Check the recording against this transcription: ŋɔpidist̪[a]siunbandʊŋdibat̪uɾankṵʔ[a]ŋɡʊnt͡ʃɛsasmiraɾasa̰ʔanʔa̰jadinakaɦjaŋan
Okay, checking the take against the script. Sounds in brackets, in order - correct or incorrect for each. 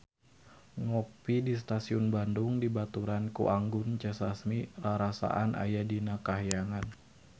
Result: correct, correct

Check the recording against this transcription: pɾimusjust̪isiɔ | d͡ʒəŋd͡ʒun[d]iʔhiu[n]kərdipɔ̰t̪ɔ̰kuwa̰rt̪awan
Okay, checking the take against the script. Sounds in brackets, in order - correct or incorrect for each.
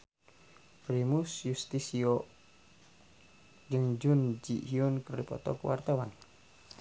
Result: incorrect: d͡ʒ, correct

